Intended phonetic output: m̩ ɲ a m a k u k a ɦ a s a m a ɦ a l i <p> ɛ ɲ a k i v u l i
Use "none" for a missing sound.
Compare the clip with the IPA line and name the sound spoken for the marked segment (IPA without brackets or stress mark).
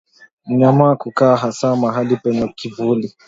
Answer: p